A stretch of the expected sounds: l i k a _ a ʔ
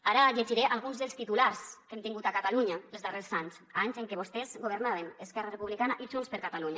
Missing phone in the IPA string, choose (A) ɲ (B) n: B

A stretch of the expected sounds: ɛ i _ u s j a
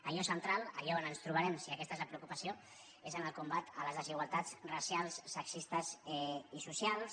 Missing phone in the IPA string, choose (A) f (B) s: B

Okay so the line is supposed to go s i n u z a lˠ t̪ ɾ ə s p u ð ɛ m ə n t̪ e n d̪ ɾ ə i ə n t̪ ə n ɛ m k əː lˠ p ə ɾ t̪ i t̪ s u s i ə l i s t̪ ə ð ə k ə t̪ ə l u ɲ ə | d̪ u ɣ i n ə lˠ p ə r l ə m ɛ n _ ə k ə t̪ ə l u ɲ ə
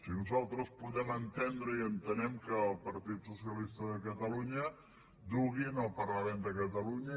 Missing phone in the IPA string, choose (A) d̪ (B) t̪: A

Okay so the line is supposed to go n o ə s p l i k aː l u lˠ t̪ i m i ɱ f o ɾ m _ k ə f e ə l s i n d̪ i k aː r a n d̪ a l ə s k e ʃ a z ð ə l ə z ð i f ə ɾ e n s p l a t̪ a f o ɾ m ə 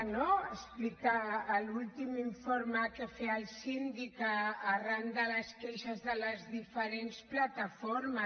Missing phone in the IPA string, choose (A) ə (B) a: B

